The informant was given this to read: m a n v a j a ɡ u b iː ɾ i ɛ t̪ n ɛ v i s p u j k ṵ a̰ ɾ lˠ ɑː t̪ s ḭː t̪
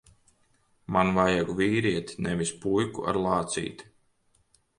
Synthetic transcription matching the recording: m a n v a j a ɡ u v iː ɾ i ɛ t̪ n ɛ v i s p u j k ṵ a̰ ɾ lˠ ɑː t̪ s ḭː t̪